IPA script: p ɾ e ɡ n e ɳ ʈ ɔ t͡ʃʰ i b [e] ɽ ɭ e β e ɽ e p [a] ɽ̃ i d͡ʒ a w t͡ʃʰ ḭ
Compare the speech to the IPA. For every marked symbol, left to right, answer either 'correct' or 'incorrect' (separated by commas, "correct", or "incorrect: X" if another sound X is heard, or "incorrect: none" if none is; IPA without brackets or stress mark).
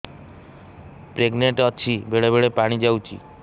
correct, correct